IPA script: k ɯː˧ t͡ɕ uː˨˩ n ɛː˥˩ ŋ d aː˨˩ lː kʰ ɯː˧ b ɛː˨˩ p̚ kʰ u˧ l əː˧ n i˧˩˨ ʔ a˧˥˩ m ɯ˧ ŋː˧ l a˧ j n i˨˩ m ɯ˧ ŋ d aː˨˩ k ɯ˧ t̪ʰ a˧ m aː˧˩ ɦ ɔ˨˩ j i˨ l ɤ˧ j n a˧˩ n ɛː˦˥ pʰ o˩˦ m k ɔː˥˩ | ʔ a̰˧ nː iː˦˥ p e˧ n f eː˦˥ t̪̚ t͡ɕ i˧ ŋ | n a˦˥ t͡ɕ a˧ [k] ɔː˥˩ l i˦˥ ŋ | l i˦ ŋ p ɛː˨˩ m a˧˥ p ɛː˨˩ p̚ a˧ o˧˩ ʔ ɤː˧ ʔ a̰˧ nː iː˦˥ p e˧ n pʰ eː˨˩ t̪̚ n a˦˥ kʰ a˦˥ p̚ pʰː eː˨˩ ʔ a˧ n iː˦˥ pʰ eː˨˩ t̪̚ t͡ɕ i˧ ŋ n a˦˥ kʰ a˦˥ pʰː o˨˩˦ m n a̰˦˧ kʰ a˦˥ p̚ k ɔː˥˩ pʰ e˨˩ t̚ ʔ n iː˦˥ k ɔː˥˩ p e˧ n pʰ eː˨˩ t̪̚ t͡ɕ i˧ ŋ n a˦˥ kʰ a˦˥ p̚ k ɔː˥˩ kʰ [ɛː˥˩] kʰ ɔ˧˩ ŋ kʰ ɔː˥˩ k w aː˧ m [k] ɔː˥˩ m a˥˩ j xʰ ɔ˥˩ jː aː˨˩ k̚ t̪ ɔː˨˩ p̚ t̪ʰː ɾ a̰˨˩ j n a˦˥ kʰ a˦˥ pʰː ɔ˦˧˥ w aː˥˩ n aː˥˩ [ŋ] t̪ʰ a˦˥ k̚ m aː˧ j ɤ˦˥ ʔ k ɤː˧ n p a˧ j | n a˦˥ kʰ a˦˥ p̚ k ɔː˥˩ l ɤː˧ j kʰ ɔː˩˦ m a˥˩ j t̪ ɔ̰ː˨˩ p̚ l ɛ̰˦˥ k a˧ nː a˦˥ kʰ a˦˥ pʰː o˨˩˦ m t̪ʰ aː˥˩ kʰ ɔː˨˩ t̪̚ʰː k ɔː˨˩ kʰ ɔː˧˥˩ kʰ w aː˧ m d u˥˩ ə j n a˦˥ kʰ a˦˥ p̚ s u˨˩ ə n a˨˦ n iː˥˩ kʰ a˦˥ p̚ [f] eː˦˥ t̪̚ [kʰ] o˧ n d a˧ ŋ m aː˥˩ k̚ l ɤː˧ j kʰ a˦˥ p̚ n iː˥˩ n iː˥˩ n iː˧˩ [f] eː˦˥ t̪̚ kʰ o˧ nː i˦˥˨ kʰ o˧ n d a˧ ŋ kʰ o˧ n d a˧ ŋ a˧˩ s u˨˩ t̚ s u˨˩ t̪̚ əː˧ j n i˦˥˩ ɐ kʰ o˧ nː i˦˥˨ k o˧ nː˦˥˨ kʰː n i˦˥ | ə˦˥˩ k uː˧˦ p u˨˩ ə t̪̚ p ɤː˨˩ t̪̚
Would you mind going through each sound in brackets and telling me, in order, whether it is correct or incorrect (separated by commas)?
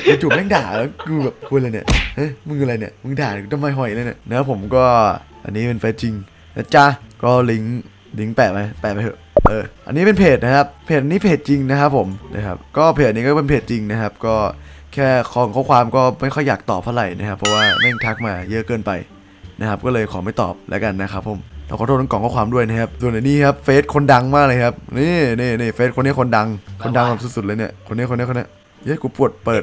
correct, correct, correct, correct, correct, correct, correct